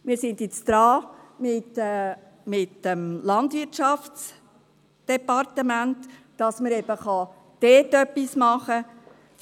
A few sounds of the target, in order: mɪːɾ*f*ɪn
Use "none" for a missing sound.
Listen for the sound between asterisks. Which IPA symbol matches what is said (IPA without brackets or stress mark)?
s